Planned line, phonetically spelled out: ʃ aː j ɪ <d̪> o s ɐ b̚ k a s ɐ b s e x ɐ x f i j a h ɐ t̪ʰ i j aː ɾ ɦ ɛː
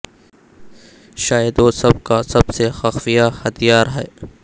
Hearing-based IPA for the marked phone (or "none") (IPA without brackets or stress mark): d̪